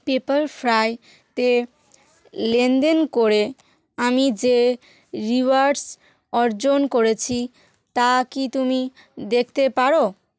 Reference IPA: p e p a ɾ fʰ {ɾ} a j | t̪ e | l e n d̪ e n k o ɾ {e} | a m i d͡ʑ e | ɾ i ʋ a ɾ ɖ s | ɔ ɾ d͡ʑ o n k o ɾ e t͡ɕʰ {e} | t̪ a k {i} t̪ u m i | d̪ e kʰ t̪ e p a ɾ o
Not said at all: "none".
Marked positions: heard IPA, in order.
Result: ɾ, e, i, i

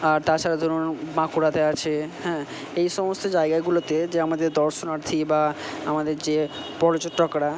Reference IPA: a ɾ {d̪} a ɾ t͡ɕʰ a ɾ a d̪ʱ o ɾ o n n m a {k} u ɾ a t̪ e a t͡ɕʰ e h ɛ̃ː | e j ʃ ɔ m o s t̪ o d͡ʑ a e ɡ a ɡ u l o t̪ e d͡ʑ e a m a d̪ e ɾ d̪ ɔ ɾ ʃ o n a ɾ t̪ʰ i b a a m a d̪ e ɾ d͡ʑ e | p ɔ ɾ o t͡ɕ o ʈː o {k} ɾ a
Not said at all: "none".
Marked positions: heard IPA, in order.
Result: t̪, k, k

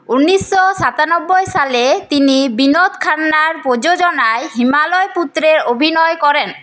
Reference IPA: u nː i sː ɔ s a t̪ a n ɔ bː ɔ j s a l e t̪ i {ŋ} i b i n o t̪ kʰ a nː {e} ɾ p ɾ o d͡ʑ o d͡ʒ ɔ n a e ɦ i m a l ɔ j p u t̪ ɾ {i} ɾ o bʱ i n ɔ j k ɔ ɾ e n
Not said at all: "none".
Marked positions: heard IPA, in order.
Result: n, a, e

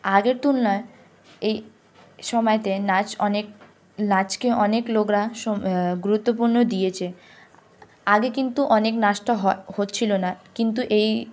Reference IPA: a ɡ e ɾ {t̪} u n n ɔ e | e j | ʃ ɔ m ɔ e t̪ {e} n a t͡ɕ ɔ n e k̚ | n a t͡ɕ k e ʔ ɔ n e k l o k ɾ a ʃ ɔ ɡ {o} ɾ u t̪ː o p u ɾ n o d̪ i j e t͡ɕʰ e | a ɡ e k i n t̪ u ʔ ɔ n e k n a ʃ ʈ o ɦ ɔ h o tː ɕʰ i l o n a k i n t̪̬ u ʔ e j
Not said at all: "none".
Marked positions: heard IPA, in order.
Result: t̪, e, u

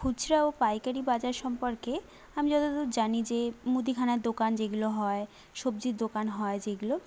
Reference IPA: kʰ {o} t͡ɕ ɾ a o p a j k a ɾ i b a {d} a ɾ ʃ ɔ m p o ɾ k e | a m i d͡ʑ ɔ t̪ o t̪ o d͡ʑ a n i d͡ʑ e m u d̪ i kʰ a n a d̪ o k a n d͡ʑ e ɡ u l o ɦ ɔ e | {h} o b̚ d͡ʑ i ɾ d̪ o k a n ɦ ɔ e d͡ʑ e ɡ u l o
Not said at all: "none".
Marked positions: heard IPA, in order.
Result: u, d͡ʑ, ʃ

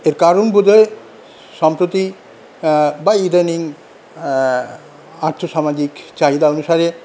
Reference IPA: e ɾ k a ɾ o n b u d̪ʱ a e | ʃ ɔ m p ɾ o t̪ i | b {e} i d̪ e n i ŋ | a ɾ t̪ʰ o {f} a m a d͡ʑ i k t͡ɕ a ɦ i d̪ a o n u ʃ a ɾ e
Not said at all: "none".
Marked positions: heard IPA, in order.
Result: a, ʃ

